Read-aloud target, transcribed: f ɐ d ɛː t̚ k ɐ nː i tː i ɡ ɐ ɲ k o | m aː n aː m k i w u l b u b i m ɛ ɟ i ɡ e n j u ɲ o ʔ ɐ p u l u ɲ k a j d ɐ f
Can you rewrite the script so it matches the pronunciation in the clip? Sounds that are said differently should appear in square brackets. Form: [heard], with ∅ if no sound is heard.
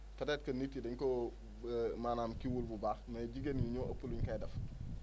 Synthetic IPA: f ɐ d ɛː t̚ k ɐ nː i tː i [d] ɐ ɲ k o | m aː n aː m k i w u l b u b [a] m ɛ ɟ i ɡ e n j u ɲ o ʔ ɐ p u l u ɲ k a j d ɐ f